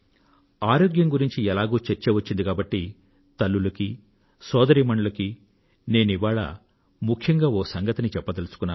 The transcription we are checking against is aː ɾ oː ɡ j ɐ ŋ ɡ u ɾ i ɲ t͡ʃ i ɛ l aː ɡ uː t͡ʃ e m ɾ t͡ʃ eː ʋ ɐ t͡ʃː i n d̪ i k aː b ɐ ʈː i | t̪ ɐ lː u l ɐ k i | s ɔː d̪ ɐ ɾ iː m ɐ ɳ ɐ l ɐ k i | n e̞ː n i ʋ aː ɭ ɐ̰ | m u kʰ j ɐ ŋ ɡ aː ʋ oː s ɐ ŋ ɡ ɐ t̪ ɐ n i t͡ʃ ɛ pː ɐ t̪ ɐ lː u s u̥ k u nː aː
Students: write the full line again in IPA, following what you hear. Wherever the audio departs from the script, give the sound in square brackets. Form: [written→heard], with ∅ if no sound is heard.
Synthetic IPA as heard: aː ɾ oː ɡ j ɐ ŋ ɡ u ɾ i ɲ t͡ʃ i ɛ l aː ɡ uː t͡ʃ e [m→∅] ɾ t͡ʃ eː ʋ ɐ t͡ʃː i n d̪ i k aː b ɐ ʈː i | t̪ ɐ lː u l ɐ k i | s ɔː d̪ ɐ ɾ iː m ɐ ɳ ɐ l ɐ k i | n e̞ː n i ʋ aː ɭ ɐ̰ | m u kʰ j ɐ ŋ ɡ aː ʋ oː s ɐ ŋ ɡ ɐ t̪ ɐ n i t͡ʃ ɛ pː ɐ t̪ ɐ [lː→l] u s u̥ k u nː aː